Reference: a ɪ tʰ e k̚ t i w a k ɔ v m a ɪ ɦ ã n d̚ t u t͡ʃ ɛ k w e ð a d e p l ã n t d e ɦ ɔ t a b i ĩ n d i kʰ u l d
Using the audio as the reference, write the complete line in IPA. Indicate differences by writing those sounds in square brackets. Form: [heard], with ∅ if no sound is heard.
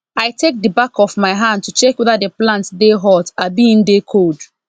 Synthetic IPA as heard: a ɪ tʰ e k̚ [d] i [b] a k ɔ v m a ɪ ɦ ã n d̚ t u t͡ʃ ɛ k w e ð a d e p l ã n t d e ɦ ɔ t a b i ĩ n d [e] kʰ [o] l d